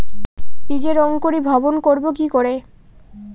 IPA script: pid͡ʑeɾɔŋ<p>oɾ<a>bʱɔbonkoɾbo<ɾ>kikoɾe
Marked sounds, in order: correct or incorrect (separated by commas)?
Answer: incorrect, incorrect, incorrect